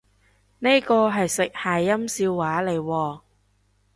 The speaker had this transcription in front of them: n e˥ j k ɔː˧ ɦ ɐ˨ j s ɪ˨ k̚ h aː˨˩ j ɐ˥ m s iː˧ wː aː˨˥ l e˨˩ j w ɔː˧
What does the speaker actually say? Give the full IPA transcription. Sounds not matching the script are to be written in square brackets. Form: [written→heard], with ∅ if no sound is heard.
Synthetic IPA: n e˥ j k ɔː˧ ɦ ɐ˨ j s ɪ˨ k̚ h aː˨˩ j ɐ˥ m s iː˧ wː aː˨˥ l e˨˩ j w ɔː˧